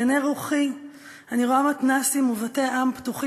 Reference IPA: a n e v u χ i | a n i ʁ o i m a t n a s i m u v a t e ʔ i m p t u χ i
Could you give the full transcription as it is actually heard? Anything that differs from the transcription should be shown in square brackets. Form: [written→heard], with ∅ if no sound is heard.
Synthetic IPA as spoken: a n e [v→ʁ] u χ i | a n i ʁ o [i→a] m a t n a s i m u v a t e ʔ [i→a] m p t u χ i